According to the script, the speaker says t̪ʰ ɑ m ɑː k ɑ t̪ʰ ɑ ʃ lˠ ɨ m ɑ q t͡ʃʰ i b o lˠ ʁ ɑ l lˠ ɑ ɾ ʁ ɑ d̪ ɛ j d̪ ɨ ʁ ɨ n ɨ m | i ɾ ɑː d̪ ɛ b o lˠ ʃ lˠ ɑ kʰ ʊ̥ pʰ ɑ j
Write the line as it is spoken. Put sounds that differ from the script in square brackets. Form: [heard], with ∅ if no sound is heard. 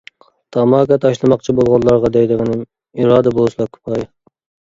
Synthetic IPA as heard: t̪ʰ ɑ m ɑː k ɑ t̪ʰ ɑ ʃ lˠ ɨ m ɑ q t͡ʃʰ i b o lˠ ʁ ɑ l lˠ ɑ ɾ ʁ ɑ d̪ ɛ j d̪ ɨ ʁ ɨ n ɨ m | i ɾ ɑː d̪ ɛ b o lˠ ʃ lˠ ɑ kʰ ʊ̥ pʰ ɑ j

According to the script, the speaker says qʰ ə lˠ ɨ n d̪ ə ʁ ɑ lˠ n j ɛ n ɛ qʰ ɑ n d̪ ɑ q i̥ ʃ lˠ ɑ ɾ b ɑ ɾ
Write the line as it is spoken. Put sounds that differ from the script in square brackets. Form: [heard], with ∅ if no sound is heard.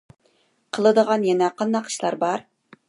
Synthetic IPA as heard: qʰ ə lˠ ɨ [∅] d̪ ə ʁ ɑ [∅] n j ɛ n ɛ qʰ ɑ n d̪ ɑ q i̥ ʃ lˠ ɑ ɾ b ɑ ɾ

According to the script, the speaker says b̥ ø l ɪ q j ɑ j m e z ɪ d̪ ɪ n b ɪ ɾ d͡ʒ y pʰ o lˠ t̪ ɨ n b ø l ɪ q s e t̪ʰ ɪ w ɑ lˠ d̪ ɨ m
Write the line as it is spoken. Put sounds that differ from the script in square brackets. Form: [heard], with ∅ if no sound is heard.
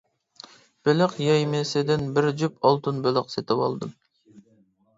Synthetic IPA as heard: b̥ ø l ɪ q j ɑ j m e [s] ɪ d̪ ɪ n b ɪ ɾ d͡ʒ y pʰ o lˠ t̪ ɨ n b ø l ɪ q s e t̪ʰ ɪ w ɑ lˠ d̪ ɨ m

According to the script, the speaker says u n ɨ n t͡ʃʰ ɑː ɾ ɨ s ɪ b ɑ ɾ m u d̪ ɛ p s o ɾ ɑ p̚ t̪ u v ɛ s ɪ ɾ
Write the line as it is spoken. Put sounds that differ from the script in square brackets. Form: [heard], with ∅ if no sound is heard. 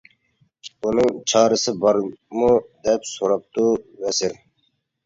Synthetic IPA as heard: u n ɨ [ŋ] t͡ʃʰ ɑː ɾ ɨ s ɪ b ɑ ɾ m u d̪ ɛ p s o ɾ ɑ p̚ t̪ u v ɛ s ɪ ɾ

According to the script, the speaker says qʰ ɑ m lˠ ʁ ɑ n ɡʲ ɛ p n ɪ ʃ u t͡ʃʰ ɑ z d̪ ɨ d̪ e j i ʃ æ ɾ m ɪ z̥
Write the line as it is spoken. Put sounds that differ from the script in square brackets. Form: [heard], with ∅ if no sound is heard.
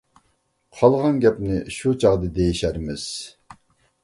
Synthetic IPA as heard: qʰ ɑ [∅] lˠ ʁ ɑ n ɡʲ ɛ p n ɪ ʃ u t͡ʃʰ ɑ [ʁ] d̪ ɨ d̪ e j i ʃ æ ɾ m ɪ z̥

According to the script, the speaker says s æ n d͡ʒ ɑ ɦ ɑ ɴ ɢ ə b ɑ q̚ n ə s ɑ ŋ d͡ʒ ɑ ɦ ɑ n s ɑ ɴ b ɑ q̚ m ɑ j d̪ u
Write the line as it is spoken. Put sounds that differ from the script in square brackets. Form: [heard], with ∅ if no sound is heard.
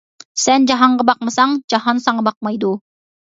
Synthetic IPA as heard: s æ n d͡ʒ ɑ ɦ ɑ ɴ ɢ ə b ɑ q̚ [m] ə s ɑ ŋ d͡ʒ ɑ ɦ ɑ n s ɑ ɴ b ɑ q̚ m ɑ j d̪ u

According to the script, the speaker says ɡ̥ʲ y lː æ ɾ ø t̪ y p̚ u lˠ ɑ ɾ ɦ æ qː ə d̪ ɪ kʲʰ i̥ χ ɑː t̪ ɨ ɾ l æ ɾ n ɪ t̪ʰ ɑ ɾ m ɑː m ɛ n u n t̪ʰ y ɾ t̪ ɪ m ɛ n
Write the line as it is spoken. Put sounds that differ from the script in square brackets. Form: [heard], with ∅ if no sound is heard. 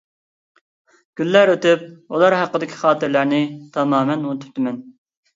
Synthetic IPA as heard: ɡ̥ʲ y lː æ ɾ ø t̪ y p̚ u lˠ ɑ ɾ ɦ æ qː ə d̪ ɪ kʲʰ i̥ χ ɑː t̪ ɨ ɾ l æ ɾ n ɪ t̪ʰ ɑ [∅] m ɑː m ɛ n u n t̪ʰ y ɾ t̪ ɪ m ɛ n

